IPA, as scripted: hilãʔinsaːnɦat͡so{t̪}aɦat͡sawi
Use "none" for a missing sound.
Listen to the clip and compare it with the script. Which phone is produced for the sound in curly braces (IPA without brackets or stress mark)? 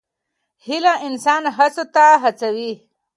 t̪